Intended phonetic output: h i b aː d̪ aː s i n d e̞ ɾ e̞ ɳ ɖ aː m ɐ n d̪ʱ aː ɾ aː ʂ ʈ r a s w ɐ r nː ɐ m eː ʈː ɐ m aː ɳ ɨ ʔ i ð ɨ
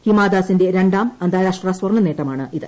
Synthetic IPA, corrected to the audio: h i m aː d̪ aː s i n d e̞ ɾ e̞ ɳ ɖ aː m ɐ n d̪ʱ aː ɾ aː ʂ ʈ r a s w ɐ r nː ɐ n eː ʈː ɐ m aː ɳ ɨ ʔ i ð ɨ